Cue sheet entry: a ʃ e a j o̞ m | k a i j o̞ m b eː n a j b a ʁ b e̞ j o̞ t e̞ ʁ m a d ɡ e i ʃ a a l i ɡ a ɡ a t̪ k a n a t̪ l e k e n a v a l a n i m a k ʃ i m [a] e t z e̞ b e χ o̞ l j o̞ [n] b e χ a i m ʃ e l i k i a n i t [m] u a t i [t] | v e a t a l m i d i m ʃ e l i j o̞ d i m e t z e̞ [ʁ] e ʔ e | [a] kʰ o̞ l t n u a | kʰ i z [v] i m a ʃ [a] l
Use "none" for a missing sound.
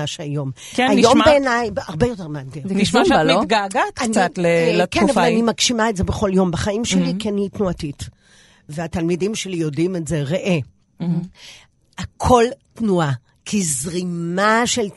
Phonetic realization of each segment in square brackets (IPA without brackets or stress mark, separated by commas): a, m, n, t, ʁ, a, ʁ, e